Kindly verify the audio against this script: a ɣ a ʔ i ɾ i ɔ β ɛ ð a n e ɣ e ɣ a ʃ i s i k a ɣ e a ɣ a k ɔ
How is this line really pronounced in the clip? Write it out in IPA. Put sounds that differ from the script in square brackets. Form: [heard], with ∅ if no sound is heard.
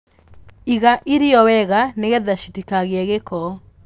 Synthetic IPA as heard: [i] ɣ a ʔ i ɾ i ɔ [w] ɛ [ɣ] a n e ɣ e [ð] a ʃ i [t] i k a ɣ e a ɣ [e] k ɔ